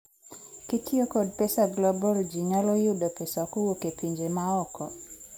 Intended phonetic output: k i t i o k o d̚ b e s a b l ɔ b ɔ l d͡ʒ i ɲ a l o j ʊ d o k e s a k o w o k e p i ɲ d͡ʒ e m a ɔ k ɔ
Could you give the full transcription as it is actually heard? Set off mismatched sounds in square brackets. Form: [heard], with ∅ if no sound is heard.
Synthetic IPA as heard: k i t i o k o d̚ [p] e s a [ɡ] l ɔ b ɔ l d͡ʒ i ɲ a l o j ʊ d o [p] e s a k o w o k e p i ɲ d͡ʒ e m a ɔ k ɔ